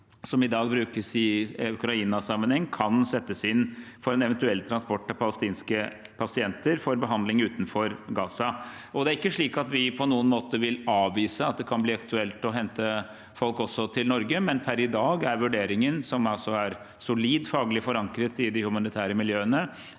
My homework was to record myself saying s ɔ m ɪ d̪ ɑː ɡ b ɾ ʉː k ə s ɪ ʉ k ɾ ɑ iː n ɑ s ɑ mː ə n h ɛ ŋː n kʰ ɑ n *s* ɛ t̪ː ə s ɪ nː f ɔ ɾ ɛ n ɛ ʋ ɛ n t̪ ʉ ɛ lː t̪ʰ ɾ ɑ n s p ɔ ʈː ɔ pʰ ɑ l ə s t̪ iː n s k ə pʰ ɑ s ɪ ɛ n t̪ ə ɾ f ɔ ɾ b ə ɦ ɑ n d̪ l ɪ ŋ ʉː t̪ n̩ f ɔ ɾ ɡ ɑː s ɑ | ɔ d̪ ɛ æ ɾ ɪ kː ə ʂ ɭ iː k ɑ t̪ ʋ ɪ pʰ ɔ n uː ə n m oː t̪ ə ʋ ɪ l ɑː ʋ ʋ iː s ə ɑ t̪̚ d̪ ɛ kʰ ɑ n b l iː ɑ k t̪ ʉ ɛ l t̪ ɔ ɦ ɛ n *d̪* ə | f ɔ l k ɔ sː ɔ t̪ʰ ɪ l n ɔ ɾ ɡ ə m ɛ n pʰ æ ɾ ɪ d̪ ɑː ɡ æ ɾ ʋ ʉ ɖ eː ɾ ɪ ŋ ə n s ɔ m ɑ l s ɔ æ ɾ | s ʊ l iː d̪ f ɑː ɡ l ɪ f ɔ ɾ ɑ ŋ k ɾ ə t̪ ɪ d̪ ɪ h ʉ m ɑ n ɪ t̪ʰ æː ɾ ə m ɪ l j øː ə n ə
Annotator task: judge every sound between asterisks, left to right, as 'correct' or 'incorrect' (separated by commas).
correct, incorrect